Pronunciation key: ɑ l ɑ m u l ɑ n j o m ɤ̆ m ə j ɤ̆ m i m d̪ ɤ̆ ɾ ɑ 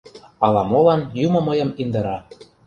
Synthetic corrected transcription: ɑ l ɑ m o l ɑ n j u m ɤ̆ m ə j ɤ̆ m i n d̪ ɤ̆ ɾ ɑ